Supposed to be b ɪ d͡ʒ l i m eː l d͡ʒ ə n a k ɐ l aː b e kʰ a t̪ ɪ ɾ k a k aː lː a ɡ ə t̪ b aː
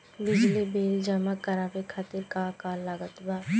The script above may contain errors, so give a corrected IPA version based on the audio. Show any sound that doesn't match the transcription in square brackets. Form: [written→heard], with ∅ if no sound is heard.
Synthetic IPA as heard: b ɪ d͡ʒ l i [m→b] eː l d͡ʒ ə [n→m] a k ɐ [l→ɾ] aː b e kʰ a t̪ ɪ ɾ k a k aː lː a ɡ ə t̪ b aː